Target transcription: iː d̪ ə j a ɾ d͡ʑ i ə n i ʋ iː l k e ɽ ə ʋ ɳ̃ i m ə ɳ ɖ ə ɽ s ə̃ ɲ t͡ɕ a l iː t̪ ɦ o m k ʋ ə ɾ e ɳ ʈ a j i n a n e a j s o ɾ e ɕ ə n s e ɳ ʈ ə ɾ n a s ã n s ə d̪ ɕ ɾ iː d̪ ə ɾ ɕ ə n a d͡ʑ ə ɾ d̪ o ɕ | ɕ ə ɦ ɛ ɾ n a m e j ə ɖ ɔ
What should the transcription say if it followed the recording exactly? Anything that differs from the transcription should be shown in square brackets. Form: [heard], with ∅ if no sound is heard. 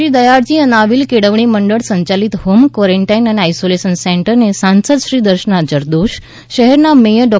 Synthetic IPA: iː d̪ ə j a ɾ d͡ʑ i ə n [a] ʋ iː l k e ɽ ə ʋ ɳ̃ i m ə ɳ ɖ ə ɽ s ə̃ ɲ t͡ɕ a l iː t̪ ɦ o m k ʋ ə ɾ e ɳ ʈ a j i n a n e a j s o [l] e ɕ ə n s e ɳ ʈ ə ɾ n [e] s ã n s ə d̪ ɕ ɾ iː d̪ ə ɾ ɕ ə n a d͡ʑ ə ɾ d̪ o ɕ | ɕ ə ɦ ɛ ɾ n a m e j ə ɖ ɔ